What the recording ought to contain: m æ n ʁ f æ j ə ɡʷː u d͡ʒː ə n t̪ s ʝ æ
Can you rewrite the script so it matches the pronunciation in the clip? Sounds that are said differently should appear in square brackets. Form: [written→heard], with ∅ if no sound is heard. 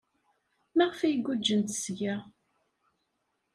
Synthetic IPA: m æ [n→∅] ʁ f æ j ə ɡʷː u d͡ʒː ə n t̪ s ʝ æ